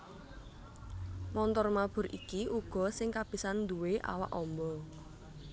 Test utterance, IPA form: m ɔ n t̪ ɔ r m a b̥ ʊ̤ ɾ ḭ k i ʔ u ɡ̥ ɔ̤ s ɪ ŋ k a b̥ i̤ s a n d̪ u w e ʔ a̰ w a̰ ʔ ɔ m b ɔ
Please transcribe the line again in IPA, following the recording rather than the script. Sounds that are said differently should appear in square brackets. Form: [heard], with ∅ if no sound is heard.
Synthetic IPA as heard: m ɔ n t̪ ɔ r m a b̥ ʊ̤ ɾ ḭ k i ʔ u ɡ̥ ɔ̤ s ɪ ŋ k a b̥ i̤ s a n d̪ u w e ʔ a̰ w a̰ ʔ ɔ m b ɔ